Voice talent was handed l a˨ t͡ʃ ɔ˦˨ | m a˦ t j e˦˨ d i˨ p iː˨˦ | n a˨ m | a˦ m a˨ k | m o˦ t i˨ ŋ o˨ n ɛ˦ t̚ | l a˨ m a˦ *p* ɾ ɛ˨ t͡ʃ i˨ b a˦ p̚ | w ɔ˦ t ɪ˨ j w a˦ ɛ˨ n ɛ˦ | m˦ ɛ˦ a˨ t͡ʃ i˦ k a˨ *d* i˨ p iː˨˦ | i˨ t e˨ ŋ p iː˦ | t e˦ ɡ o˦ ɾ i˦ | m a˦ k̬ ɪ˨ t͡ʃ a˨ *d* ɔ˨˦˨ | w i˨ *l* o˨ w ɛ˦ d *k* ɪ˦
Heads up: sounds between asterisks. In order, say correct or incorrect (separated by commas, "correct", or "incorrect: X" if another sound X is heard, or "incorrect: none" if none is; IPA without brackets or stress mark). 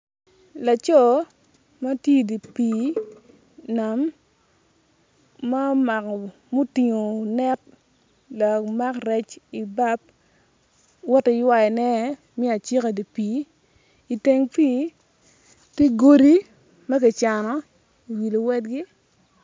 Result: incorrect: k, correct, incorrect: n, correct, incorrect: ɡ